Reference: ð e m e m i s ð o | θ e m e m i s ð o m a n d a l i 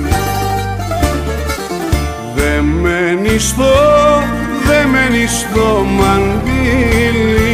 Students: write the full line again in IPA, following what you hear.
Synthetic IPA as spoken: ð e m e n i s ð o | ð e m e n i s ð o m a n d i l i